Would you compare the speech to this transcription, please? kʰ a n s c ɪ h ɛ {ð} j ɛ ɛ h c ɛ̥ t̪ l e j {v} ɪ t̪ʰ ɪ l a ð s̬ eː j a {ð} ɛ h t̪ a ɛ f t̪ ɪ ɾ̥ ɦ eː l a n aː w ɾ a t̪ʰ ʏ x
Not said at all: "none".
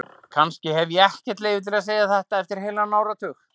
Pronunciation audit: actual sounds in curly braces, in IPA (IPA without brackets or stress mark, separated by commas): v, v, θ